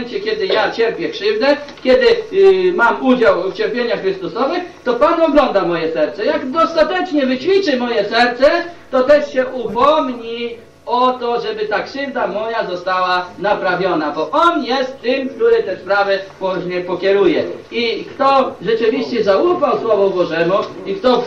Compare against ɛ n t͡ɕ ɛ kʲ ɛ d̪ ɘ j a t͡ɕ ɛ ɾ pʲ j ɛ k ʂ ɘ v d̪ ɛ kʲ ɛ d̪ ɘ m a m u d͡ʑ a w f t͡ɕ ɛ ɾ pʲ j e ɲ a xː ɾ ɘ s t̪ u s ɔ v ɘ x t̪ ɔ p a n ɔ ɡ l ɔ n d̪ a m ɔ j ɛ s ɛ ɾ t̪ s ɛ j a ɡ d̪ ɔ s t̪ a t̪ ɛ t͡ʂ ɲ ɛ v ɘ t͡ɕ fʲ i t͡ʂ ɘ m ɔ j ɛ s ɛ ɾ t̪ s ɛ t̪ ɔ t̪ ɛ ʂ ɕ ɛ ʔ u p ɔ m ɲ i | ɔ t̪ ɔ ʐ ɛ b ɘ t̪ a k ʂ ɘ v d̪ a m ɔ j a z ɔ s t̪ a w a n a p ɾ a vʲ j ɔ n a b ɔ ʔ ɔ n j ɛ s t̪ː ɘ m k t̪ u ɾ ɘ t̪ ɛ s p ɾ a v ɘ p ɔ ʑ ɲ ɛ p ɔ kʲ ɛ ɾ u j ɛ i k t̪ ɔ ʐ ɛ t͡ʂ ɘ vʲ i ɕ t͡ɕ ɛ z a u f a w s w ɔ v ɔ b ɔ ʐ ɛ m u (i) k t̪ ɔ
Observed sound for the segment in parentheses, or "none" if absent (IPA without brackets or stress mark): i